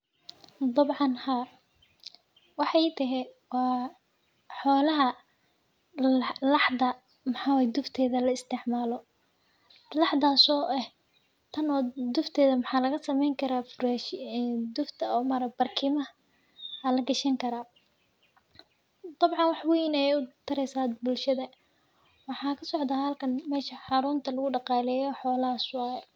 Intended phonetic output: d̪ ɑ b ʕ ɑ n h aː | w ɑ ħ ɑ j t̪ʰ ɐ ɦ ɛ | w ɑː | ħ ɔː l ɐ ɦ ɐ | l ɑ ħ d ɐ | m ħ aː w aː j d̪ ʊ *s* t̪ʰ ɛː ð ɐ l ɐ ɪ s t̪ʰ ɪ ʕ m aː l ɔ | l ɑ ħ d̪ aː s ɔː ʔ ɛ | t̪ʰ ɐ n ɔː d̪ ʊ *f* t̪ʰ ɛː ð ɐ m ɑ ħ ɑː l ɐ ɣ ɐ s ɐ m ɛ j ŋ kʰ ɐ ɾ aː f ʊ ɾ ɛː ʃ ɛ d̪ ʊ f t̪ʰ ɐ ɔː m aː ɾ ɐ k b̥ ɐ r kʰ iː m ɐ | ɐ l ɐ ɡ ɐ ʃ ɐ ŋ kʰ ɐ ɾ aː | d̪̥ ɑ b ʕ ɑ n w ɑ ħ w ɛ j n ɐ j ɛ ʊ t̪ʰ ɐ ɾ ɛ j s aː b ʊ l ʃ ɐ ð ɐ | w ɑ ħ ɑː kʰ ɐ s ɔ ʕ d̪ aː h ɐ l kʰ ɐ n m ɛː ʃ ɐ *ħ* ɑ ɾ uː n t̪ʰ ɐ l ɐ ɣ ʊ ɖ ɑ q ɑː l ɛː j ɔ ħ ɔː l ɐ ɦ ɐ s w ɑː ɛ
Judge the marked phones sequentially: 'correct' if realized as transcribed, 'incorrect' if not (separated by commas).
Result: incorrect, correct, correct